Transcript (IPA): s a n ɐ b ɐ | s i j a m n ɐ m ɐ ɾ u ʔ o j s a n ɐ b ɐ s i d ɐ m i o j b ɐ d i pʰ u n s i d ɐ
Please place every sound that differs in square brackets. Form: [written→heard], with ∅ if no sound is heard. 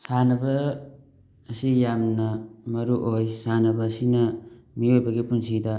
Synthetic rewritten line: s a n ɐ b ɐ | s i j a m n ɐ m ɐ ɾ u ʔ o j s a n ɐ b ɐ s i [d→n] ɐ m i o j b ɐ [d→ɡ] i [pʰ→p] u n s i d ɐ